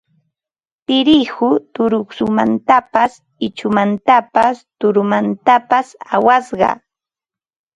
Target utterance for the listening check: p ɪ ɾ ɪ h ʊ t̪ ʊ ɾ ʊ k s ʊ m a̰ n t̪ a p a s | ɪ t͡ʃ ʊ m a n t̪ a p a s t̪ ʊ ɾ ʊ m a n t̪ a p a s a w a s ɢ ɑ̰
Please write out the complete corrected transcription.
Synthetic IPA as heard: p ɪ ɾ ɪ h ʊ t̪ ʊ ɾ ʊ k s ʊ m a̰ n t̪ a p a s | ɪ t͡ʃ ʊ m a n t̪ a p a s t̪ ʊ ɾ ʊ m a n t̪ a p a s a w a s ɢ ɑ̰